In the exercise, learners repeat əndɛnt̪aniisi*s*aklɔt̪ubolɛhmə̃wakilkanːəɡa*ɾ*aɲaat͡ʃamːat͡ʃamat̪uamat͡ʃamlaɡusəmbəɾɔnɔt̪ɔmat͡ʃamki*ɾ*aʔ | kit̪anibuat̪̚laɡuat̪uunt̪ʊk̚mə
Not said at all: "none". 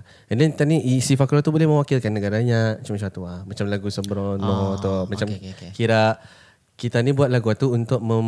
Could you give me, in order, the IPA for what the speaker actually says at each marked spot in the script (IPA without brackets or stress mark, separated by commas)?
f, ɾ, ɾ